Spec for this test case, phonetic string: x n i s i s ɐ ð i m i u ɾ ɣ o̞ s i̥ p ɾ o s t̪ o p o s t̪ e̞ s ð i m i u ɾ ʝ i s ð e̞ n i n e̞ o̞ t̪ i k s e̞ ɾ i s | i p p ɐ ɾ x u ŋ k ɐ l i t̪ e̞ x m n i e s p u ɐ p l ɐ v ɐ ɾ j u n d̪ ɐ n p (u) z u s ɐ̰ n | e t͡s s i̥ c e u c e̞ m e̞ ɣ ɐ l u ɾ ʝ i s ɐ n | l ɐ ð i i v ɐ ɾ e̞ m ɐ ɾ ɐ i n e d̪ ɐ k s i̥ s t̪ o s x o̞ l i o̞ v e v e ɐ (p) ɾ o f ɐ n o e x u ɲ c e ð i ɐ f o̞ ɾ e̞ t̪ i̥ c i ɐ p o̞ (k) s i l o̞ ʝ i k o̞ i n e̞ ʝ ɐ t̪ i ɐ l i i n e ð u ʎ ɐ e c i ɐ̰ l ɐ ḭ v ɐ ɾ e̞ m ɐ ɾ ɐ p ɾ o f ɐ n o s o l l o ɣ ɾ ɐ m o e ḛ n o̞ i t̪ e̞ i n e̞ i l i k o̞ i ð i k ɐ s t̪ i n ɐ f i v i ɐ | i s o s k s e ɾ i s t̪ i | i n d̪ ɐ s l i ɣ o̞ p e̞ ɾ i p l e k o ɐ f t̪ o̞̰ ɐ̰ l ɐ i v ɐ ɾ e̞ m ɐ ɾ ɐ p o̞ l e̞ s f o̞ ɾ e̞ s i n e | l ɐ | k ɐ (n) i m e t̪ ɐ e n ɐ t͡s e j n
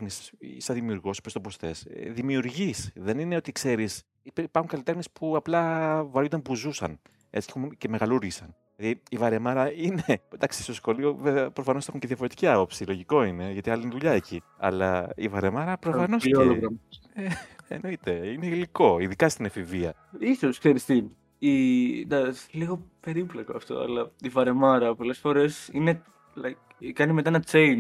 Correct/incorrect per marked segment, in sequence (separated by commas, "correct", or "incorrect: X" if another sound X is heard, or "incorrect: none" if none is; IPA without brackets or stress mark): correct, correct, incorrect: p, correct